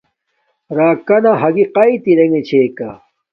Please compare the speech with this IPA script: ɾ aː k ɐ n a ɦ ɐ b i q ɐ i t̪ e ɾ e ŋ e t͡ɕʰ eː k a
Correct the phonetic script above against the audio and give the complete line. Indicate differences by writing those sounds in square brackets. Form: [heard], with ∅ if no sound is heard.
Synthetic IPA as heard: ɾ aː k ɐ n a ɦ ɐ [ɡ] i q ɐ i t̪ [i] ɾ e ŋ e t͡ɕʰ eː k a